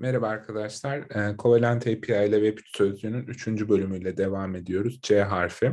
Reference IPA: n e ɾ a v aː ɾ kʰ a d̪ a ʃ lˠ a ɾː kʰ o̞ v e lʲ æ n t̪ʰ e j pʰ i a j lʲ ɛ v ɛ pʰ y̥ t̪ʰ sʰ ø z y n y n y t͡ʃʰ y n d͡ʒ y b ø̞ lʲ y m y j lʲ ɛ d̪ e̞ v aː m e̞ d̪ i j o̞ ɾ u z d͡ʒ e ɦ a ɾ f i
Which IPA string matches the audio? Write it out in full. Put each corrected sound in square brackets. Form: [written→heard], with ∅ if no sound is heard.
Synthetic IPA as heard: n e ɾ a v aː ɾ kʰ a d̪ a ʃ lˠ a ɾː kʰ o̞ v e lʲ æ n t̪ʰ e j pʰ i a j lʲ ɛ v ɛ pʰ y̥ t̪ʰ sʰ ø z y n y n y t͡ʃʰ y n d͡ʒ y b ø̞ lʲ y m y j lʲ ɛ d̪ e̞ v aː m e̞ d̪ i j o̞ ɾ u z d͡ʒ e ɦ a ɾ f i